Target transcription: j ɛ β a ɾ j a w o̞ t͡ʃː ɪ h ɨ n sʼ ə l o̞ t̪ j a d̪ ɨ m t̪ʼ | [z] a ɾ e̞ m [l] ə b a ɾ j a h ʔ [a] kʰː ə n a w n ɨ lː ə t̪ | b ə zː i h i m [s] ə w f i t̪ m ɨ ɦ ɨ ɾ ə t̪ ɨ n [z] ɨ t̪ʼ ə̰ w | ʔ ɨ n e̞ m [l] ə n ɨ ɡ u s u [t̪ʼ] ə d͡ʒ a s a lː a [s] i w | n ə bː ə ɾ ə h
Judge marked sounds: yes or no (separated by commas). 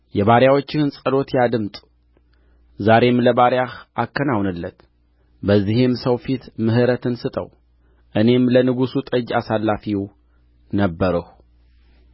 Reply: yes, yes, yes, yes, no, yes, yes, no